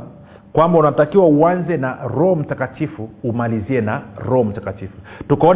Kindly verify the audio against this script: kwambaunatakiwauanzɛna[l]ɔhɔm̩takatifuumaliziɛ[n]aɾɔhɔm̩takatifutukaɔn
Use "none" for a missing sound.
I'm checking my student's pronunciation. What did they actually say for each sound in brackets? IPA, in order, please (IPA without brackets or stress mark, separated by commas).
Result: ɾ, n